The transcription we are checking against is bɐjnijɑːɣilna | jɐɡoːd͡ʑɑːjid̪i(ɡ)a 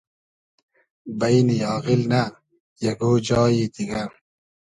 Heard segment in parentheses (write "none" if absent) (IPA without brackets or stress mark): ɡ